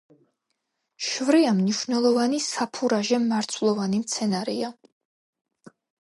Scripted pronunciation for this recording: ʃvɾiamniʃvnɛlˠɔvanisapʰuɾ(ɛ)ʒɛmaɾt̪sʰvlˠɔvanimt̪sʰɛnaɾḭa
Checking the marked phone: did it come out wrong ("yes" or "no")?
yes